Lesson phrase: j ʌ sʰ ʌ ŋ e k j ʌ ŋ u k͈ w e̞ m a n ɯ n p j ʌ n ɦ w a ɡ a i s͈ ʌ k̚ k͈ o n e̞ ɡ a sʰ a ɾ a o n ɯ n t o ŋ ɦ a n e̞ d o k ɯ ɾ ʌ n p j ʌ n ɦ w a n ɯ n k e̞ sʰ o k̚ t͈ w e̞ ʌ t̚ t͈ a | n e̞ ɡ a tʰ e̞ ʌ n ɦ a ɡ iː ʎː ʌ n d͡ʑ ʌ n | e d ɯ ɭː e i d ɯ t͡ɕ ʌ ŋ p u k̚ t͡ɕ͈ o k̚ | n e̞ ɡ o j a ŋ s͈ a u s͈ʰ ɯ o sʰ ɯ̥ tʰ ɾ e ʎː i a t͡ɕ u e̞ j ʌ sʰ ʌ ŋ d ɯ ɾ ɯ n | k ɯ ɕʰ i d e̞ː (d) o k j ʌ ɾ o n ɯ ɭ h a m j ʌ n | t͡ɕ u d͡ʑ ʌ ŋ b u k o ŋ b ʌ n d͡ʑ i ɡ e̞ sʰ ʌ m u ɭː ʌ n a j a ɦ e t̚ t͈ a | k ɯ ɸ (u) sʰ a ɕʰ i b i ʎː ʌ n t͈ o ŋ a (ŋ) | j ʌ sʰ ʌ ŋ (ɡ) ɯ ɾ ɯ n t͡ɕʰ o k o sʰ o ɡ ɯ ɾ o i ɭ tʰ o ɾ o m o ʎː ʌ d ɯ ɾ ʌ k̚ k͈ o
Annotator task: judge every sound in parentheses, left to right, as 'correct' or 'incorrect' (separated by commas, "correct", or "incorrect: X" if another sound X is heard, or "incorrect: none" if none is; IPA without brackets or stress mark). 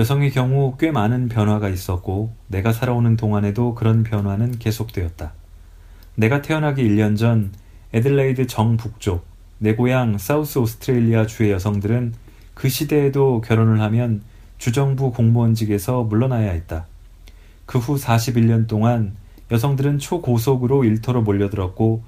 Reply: correct, correct, incorrect: n, incorrect: d